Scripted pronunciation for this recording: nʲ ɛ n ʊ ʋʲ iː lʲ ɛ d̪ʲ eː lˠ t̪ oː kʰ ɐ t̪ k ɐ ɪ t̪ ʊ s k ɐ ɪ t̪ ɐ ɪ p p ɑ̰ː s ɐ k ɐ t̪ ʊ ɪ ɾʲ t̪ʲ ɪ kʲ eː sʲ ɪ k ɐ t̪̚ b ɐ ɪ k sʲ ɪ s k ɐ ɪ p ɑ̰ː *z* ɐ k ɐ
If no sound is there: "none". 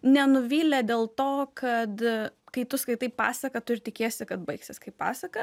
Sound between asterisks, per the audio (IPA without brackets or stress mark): s